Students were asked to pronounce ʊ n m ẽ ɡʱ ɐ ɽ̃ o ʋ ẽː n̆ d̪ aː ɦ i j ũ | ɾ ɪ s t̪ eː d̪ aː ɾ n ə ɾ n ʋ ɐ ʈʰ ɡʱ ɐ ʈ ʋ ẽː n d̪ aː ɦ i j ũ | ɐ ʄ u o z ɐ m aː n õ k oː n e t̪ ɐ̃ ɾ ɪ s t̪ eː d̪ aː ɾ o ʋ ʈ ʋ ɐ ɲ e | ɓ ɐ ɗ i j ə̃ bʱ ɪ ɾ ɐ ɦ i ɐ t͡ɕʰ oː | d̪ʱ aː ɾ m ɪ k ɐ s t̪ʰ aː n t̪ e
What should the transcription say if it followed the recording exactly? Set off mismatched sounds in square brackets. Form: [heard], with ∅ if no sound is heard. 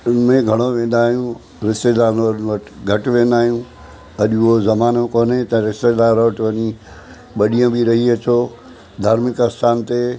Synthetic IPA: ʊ n m ẽ ɡʱ ɐ ɽ̃ o ʋ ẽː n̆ d̪ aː ɦ i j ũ | ɾ ɪ s t̪ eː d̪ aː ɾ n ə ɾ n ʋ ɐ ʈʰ ɡʱ ɐ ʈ ʋ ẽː n d̪ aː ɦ i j ũ | ɐ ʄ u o z ɐ m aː n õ k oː n e t̪ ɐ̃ ɾ ɪ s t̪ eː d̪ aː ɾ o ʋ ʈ ʋ ɐ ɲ [i] | ɓ ɐ ɗ i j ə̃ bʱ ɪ ɾ ɐ ɦ i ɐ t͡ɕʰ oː | d̪ʱ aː ɾ m ɪ k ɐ s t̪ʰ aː n t̪ e